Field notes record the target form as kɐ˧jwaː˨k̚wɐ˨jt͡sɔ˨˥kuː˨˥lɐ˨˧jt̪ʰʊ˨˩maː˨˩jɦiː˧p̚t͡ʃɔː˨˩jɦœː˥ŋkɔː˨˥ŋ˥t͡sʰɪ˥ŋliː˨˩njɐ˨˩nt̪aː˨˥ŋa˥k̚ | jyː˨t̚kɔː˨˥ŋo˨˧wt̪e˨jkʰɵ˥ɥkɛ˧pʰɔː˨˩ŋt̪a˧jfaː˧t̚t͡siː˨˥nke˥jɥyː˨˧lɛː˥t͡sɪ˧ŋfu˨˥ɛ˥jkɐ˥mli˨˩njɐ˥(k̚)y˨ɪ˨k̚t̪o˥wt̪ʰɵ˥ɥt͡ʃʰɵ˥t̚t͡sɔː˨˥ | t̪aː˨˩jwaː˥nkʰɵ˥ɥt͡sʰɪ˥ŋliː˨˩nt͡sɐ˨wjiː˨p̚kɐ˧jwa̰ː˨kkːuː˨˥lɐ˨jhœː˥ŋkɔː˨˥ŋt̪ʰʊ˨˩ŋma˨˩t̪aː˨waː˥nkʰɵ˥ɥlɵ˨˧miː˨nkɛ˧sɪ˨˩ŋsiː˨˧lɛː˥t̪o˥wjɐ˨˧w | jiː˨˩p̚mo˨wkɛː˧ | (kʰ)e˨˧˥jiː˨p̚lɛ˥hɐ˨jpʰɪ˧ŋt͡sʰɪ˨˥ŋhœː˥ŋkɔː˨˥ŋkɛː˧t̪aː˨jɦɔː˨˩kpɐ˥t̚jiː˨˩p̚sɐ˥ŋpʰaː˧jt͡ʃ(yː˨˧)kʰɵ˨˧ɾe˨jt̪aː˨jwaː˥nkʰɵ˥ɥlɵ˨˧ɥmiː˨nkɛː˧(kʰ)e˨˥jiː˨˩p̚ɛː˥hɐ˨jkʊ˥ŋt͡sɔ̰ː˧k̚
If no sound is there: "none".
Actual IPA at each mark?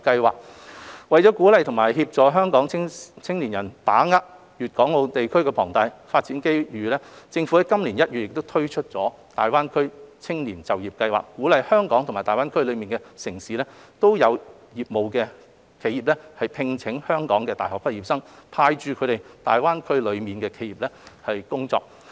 t̚, kʰ, yː˨˧, kʰ

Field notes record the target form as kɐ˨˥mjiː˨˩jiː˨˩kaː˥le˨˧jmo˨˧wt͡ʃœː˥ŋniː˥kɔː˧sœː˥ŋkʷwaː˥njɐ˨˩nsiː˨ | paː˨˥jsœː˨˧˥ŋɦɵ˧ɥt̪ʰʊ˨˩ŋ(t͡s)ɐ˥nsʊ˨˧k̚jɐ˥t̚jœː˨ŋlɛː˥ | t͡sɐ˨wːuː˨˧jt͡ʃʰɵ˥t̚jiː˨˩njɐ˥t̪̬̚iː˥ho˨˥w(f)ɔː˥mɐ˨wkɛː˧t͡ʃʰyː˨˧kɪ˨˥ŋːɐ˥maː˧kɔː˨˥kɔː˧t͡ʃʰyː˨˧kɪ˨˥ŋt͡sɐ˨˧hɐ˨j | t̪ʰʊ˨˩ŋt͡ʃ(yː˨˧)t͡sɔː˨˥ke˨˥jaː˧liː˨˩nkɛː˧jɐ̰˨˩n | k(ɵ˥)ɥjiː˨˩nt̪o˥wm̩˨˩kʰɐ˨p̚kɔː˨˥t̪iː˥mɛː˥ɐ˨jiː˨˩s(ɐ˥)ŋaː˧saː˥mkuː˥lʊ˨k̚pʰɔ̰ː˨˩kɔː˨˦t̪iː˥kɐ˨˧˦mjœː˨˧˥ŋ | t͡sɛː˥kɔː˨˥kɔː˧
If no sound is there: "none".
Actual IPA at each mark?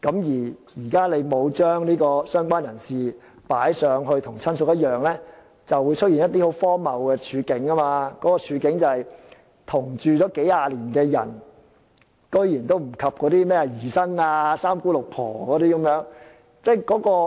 t͡sʰ, f, yː˨˧, ɵ˥, ɐ˥

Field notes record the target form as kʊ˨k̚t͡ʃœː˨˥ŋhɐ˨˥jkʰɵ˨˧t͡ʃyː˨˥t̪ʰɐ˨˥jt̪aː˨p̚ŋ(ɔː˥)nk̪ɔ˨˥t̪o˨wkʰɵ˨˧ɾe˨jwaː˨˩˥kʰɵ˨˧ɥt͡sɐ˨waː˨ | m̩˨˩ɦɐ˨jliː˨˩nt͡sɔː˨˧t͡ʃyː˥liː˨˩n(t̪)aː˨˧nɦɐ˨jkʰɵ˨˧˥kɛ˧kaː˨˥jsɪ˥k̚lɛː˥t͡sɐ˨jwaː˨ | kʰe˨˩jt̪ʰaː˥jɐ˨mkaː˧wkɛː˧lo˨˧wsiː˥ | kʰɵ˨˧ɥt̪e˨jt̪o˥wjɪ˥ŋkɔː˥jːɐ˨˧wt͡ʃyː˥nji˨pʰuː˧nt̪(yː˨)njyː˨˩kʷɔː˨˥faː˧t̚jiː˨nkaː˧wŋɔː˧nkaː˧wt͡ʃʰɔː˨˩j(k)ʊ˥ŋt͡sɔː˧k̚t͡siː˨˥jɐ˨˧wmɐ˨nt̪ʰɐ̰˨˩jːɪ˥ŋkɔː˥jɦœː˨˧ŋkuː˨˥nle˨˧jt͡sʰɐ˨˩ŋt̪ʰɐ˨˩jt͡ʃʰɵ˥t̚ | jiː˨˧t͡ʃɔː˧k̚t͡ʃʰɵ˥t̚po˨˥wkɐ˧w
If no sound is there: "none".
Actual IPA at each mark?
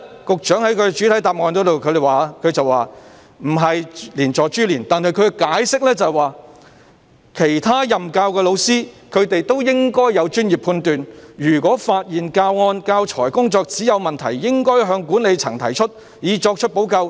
ɔː˨˧, t̪, yː˨, k

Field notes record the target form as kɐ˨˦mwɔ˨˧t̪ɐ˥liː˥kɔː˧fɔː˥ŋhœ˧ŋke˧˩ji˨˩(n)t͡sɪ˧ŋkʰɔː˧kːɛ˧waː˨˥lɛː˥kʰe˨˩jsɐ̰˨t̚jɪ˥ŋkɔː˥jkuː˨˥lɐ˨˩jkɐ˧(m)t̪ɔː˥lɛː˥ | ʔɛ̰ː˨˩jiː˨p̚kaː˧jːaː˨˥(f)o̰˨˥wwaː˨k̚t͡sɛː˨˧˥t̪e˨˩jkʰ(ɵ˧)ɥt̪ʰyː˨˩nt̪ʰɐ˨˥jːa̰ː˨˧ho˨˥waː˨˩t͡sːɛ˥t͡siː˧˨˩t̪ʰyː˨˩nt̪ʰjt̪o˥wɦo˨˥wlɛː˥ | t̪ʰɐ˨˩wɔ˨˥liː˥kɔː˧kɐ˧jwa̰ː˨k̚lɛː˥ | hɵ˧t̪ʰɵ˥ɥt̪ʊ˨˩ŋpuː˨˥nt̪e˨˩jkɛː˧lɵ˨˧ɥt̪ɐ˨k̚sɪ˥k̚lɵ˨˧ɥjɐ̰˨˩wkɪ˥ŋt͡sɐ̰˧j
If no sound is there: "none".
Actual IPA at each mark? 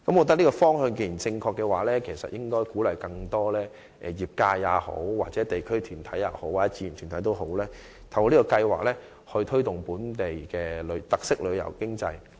n, ŋ, h, ɵ˥

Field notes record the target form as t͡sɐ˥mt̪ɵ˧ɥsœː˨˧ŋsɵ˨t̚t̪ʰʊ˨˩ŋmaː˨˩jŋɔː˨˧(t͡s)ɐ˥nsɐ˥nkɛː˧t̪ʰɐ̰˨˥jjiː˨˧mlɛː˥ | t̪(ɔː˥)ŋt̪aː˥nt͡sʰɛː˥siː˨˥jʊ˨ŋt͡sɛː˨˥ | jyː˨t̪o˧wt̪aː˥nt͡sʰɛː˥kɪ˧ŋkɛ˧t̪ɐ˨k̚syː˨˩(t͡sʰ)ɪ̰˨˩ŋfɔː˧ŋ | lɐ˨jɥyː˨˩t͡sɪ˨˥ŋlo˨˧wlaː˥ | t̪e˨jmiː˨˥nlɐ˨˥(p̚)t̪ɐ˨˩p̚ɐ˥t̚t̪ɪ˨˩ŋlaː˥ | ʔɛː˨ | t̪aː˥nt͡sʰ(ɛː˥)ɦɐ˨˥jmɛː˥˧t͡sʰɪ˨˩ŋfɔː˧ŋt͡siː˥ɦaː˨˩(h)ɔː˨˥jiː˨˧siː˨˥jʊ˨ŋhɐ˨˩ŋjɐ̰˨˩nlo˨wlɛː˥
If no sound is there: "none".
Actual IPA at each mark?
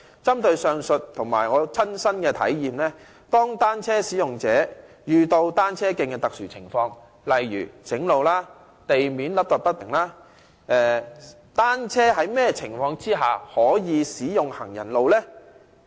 t͡sʰ, ɔː˥, t͡sʰ, p̚, ɛː˥, h

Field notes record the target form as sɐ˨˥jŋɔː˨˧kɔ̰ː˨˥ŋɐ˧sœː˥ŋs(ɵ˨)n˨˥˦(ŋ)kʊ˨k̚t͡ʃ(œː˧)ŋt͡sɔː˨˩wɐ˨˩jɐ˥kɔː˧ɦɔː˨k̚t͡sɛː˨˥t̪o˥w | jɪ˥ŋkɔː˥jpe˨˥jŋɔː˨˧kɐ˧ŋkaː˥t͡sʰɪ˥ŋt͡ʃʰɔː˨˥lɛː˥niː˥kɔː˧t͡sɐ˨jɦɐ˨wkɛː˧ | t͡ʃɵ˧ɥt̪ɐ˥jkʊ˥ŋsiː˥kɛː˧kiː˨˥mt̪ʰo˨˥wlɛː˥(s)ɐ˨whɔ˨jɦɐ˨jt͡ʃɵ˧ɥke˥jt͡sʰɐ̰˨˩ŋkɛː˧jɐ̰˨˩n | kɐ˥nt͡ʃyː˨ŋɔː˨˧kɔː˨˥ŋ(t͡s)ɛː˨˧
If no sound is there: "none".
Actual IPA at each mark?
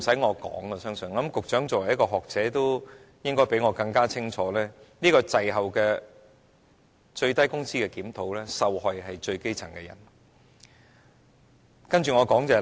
ɵ˨, m, œː˨˥, s, t͡s

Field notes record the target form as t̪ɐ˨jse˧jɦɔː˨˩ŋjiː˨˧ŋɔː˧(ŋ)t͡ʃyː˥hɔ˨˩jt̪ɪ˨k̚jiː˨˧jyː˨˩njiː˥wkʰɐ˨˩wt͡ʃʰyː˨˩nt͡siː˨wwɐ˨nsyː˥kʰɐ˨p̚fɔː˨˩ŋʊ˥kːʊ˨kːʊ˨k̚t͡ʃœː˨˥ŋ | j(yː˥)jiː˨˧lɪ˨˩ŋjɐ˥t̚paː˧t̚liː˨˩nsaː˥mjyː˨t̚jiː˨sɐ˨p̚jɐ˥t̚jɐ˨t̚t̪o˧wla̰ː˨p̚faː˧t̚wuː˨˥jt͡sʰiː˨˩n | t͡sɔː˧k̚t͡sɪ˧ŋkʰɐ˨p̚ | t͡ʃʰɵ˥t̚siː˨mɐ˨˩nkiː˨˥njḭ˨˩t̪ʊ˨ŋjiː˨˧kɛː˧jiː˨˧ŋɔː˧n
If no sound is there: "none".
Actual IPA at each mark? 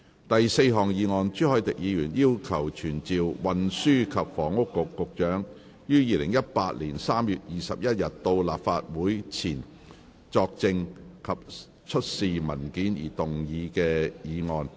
n, yː˥

